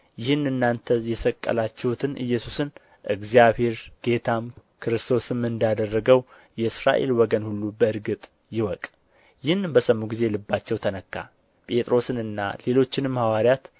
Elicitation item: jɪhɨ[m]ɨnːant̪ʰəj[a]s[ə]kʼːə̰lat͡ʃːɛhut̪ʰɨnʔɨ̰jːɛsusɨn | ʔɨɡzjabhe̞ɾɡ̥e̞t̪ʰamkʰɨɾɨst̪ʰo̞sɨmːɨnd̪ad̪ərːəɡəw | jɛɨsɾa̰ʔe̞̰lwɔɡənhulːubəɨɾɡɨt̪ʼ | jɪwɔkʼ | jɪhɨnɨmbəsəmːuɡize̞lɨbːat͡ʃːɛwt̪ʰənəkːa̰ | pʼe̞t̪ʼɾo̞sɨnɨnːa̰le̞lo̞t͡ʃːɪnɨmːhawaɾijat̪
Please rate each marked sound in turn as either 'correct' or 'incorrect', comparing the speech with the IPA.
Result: incorrect: n, incorrect: ɛ, correct

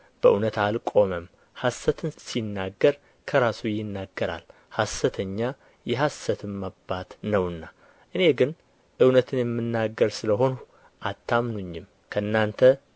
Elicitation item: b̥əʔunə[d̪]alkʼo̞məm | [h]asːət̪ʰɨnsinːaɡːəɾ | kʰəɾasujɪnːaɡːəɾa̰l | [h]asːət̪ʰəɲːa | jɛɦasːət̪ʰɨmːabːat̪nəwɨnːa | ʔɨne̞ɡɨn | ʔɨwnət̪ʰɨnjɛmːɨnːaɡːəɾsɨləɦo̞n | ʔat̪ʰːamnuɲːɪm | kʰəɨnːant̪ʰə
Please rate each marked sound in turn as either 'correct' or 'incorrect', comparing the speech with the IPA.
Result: incorrect: t̪, correct, correct

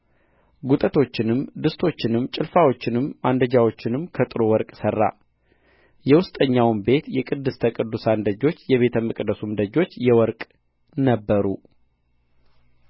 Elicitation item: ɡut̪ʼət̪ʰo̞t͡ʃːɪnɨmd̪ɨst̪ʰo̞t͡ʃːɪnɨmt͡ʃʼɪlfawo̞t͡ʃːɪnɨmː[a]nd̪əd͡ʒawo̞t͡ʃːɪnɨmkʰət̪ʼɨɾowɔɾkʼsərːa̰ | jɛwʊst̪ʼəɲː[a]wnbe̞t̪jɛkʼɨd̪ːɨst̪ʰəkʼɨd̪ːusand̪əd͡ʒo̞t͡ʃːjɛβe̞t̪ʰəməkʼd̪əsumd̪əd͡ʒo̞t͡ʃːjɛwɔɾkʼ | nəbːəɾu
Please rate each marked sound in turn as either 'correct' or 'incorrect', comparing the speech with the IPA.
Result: correct, correct

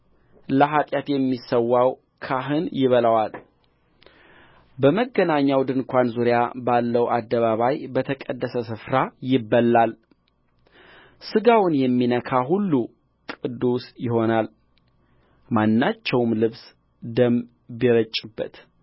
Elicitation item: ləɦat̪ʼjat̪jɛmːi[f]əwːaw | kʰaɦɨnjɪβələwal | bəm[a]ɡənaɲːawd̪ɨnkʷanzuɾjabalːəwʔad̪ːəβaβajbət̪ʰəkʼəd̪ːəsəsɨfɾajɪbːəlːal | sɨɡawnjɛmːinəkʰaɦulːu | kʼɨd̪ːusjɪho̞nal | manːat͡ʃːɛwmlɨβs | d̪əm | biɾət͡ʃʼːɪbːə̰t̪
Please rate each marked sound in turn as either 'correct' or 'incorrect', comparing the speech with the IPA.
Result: incorrect: s, incorrect: ə

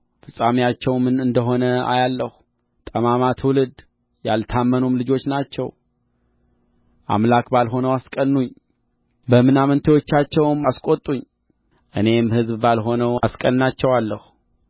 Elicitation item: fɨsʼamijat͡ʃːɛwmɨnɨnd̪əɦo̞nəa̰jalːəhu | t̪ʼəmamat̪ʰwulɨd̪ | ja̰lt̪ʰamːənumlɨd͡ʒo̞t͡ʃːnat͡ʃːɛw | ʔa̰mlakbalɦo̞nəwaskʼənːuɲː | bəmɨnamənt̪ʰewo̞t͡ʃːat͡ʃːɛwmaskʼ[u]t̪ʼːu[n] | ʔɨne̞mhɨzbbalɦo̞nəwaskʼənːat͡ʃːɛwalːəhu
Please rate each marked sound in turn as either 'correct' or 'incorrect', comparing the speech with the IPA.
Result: incorrect: o, incorrect: ɲ

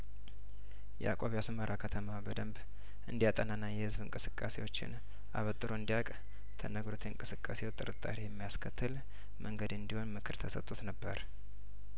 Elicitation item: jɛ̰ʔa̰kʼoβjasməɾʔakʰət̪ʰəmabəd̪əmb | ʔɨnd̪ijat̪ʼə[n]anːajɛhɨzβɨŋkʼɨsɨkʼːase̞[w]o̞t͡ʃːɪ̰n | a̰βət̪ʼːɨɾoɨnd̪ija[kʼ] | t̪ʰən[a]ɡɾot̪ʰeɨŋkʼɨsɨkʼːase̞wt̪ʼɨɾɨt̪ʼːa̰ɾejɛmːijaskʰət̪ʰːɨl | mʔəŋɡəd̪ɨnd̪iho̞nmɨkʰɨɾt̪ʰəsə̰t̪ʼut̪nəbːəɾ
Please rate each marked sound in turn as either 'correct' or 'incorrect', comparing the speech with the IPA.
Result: correct, correct, correct, incorrect: ə

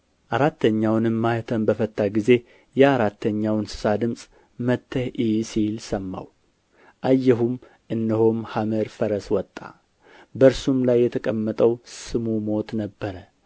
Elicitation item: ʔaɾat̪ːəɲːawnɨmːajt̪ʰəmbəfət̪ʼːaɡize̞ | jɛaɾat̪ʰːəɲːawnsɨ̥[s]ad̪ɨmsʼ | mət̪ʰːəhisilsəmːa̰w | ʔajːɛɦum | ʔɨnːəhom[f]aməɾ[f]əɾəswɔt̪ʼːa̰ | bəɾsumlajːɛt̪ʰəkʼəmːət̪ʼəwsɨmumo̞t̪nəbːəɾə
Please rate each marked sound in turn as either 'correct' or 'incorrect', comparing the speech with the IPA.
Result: correct, incorrect: h, correct

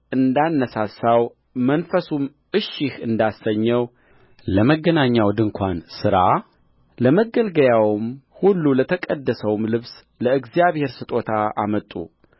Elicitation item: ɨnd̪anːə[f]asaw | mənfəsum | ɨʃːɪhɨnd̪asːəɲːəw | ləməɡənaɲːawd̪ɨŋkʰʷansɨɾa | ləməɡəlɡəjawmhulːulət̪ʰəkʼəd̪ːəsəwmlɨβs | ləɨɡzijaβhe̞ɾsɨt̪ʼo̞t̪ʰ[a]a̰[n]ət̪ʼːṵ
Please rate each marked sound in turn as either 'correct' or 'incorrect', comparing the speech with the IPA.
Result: incorrect: s, correct, incorrect: m

